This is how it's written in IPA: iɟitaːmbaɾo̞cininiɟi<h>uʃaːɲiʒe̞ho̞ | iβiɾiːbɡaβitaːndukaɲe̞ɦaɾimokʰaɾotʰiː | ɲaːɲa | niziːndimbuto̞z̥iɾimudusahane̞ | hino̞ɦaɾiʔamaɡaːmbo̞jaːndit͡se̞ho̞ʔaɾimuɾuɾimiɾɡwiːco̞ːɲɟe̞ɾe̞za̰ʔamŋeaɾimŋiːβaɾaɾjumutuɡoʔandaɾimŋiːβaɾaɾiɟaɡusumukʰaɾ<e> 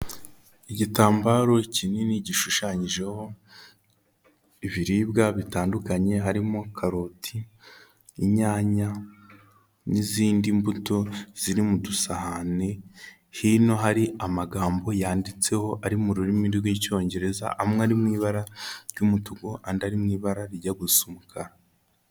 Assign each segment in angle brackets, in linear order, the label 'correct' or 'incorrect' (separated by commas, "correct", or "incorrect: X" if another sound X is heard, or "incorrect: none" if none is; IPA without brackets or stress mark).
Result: incorrect: ʃ, incorrect: a